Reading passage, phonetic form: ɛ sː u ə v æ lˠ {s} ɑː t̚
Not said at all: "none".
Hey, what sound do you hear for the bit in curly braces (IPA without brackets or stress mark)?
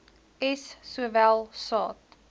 s